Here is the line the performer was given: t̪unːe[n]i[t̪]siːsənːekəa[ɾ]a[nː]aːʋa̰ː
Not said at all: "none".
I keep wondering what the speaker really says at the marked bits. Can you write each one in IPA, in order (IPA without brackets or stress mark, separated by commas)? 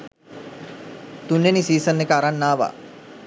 n, none, ɾ, nː